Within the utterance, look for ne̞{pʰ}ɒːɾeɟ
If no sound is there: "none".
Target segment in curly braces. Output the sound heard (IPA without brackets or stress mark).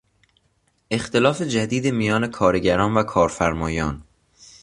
kʰ